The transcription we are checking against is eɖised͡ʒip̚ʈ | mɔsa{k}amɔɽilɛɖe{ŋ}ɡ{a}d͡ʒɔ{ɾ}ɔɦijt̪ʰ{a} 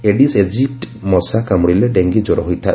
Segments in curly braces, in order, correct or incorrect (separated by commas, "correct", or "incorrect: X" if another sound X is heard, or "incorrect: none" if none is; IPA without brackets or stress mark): correct, correct, incorrect: i, correct, correct